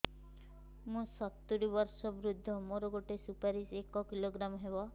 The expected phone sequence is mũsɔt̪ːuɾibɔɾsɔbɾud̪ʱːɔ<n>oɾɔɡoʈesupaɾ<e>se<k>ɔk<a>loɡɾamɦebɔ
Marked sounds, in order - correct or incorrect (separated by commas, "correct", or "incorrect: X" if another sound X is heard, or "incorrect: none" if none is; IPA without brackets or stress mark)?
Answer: incorrect: m, incorrect: i, correct, incorrect: i